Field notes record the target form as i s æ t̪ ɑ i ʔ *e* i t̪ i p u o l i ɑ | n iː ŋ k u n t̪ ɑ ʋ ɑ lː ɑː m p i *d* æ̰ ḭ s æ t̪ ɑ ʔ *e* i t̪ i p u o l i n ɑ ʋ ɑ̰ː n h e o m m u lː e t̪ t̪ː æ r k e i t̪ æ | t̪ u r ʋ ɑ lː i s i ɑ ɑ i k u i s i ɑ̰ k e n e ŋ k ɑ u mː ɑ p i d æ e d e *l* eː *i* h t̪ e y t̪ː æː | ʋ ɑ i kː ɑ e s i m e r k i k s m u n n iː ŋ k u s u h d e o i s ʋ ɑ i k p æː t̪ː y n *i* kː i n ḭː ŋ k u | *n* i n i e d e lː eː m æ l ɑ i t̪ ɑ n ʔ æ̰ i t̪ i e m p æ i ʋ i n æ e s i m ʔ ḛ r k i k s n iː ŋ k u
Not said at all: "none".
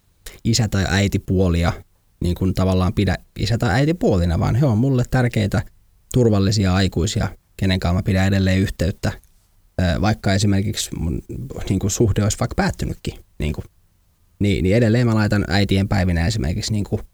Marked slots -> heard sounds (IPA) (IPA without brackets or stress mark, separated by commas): æ, d, æ, lː, y, y, n